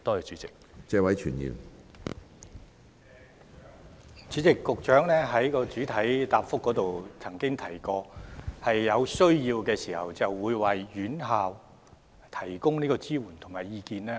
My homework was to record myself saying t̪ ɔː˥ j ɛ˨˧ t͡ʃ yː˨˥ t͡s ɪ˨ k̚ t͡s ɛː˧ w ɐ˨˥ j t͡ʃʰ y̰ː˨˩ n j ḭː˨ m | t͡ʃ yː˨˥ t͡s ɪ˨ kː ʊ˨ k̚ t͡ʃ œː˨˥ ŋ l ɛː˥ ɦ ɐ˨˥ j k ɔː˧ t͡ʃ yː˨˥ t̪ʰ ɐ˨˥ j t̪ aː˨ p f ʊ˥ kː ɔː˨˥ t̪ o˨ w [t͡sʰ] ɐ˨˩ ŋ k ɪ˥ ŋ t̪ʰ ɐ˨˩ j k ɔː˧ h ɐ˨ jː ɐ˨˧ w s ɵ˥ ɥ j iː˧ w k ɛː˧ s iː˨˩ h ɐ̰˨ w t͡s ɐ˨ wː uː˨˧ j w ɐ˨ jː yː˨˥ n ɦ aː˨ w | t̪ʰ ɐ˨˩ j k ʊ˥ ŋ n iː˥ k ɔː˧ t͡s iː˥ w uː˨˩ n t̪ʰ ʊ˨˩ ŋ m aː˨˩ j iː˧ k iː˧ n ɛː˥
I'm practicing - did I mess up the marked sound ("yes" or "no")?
no